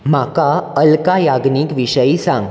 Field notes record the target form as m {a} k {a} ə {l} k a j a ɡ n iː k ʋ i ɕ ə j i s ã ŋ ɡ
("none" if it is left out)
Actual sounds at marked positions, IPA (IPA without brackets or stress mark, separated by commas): a, a, l